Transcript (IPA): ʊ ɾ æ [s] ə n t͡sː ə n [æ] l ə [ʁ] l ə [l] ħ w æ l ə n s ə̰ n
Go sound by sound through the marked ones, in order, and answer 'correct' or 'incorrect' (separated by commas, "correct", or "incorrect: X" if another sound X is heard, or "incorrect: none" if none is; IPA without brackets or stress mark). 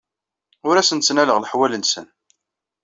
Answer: correct, correct, correct, incorrect: none